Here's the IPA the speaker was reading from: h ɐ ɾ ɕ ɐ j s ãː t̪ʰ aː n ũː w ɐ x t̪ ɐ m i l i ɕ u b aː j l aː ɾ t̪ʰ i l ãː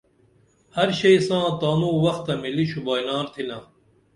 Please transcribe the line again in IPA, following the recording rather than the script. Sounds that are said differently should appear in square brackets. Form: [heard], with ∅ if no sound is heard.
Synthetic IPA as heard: h ɐ ɾ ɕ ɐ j s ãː [t̪] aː n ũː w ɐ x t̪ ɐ m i l i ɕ u b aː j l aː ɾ t̪ʰ i l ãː